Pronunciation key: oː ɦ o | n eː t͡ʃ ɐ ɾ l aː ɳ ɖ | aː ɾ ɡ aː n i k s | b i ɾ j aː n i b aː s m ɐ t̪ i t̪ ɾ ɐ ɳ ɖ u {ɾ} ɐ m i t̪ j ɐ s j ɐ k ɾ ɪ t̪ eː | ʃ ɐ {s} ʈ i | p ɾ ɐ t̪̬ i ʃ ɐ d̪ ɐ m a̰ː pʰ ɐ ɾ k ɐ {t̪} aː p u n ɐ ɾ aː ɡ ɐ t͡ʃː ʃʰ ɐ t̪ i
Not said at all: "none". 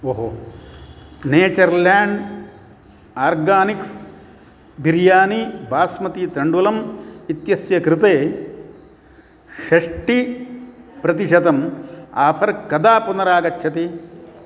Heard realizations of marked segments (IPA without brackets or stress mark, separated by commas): l, ʂ, d̪